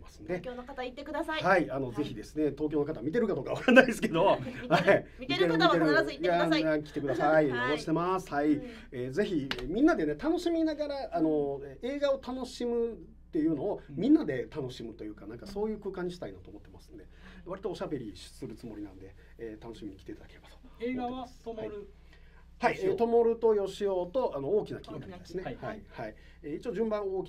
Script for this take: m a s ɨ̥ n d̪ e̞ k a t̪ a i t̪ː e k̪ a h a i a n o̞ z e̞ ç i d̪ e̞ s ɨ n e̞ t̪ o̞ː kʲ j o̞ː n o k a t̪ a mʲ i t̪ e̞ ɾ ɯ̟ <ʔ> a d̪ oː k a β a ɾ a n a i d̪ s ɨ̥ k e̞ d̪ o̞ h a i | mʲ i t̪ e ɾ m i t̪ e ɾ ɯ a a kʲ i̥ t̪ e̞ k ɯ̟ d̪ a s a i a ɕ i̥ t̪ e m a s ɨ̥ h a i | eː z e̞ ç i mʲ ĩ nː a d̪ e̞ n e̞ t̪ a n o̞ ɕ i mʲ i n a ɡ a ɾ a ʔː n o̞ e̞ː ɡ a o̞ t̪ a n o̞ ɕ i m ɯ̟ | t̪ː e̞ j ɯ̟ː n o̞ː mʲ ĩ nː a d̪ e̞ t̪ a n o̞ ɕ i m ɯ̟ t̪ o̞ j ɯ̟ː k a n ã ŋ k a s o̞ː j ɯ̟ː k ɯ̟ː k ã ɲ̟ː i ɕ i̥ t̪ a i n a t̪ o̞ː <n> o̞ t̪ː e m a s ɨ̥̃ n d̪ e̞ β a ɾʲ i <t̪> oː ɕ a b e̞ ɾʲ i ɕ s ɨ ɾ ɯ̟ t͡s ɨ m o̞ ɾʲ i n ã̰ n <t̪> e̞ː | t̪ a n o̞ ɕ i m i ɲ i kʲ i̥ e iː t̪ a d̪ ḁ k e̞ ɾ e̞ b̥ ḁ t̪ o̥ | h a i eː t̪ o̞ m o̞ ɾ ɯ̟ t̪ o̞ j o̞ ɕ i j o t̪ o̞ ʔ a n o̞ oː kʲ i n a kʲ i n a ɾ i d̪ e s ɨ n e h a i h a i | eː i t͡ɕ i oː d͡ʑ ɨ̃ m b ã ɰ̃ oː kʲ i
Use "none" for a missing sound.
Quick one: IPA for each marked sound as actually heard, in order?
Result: k, m, t̪, d̪

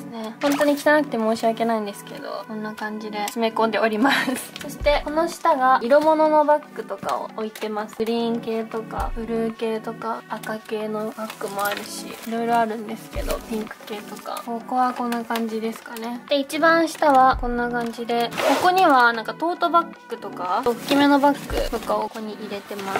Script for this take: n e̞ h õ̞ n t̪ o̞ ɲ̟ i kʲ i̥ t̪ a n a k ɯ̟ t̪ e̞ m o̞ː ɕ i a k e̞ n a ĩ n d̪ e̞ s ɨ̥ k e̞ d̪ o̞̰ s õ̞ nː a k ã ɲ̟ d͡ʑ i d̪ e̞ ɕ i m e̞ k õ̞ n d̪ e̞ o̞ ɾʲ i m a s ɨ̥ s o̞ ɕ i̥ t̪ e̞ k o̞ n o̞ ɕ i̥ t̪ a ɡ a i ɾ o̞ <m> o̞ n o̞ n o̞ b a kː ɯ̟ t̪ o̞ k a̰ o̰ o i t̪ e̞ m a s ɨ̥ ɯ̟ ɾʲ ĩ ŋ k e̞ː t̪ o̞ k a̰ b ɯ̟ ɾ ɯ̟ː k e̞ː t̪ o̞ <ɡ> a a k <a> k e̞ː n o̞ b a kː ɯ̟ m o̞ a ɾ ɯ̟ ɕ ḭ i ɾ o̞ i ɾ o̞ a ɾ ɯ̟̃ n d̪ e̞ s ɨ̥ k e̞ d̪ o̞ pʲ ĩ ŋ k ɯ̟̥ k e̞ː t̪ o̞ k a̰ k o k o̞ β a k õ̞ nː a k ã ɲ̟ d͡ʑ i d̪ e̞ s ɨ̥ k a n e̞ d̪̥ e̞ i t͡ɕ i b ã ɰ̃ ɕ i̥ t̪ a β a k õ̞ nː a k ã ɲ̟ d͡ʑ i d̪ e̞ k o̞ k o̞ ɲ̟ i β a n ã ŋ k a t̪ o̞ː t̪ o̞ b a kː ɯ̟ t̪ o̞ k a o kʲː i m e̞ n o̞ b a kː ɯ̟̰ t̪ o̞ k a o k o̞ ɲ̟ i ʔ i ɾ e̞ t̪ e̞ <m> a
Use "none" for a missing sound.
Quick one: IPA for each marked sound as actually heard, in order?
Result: m, k, a, m

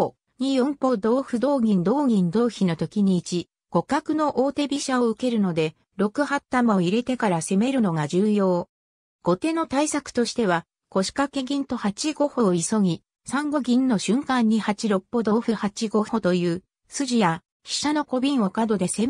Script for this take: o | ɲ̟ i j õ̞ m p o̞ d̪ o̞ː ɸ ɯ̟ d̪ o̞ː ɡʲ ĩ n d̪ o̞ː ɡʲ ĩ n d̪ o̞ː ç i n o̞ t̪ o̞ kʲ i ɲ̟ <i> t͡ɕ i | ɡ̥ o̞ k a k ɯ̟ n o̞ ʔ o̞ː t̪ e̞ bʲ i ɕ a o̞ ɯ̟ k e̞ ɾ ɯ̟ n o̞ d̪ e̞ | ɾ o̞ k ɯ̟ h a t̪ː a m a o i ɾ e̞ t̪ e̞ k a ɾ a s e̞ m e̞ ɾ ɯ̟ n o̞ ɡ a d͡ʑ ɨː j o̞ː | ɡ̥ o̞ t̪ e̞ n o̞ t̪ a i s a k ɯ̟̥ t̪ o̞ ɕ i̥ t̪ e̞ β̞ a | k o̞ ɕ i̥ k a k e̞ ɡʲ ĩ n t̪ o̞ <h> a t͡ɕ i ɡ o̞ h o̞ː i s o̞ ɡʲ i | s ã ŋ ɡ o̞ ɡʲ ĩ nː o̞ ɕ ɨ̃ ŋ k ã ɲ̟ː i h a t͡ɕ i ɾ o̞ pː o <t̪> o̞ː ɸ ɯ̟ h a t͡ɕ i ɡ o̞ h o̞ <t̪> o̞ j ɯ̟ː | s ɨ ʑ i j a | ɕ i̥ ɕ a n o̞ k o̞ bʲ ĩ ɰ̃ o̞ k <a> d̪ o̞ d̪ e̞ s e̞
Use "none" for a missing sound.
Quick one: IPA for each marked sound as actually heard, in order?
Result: iː, h, d̪, t̪, a

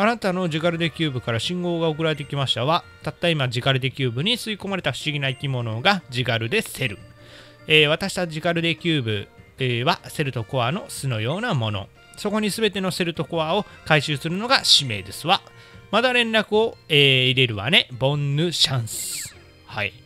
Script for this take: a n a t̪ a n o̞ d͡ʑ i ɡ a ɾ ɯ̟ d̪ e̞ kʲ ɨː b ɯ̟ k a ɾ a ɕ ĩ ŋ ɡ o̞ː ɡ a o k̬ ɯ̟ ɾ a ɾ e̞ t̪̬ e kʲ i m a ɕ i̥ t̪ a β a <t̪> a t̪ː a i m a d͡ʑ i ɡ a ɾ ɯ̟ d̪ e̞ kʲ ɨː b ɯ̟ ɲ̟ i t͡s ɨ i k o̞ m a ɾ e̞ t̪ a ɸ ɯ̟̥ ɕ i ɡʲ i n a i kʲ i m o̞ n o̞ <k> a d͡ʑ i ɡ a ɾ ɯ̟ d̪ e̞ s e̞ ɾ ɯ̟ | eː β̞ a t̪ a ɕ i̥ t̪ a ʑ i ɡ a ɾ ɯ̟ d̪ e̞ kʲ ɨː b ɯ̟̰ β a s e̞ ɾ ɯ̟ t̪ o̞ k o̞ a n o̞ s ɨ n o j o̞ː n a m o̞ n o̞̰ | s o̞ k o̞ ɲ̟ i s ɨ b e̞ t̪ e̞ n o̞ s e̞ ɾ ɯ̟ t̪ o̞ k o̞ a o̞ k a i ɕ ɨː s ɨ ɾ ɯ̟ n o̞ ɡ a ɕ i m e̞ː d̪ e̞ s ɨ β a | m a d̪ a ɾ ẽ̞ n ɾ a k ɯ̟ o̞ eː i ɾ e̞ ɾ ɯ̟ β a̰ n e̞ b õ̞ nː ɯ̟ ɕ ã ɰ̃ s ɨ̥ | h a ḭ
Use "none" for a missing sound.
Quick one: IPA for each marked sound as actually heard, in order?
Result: t̪, ɡ

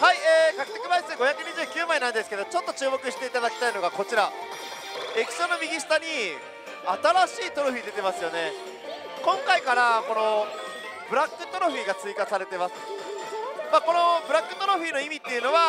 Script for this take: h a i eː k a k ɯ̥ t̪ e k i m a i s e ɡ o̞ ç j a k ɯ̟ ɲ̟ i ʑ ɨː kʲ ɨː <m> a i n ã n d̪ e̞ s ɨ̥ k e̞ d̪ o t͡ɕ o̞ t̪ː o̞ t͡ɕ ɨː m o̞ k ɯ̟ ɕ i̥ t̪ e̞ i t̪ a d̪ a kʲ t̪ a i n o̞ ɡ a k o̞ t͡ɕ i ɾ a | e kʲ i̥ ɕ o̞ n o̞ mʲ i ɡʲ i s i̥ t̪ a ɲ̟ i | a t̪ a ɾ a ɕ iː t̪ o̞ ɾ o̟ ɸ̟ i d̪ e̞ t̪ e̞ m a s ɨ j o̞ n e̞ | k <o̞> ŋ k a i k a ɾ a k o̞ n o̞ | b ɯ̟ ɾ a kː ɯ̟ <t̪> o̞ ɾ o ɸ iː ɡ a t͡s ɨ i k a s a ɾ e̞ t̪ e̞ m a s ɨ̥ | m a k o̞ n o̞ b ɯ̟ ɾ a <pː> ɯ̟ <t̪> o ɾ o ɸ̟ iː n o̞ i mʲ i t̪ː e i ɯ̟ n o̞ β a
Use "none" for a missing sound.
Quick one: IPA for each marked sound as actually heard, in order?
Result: m, õ̞, t̪, kː, t̪

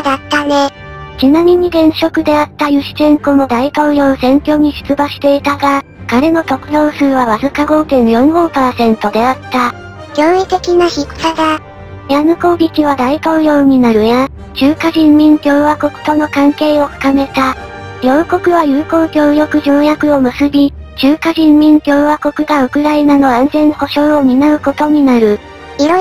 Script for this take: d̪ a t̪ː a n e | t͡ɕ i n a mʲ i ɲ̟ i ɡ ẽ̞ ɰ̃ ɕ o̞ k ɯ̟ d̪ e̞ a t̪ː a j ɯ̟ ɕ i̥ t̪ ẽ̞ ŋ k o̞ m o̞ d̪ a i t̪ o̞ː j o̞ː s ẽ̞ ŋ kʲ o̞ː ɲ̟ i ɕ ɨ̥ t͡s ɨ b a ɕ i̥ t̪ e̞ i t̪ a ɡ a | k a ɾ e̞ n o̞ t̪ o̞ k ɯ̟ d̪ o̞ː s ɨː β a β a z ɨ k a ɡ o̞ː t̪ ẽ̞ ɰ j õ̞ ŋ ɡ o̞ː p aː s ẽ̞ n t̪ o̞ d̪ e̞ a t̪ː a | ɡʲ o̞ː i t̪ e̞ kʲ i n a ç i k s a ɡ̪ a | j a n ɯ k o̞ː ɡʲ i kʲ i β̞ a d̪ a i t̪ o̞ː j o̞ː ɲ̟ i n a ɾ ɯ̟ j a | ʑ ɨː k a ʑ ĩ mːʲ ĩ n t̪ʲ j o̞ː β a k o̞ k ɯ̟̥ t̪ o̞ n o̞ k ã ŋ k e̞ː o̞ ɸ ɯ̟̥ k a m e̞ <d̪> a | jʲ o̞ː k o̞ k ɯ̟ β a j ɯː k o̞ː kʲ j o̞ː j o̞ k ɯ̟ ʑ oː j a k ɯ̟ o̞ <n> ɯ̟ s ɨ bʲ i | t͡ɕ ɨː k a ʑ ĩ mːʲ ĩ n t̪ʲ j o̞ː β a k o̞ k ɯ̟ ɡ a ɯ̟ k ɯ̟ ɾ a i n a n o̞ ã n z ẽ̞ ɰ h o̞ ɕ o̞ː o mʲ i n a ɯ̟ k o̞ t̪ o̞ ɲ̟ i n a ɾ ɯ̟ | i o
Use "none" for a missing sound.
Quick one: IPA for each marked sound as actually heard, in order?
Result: t̪, m

